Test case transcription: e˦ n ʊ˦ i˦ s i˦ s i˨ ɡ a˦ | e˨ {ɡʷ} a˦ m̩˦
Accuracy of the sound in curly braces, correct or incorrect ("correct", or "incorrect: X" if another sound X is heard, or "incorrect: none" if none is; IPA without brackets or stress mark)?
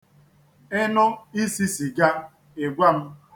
correct